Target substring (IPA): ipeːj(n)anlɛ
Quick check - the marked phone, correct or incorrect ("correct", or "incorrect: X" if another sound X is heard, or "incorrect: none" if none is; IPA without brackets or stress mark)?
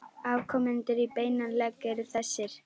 correct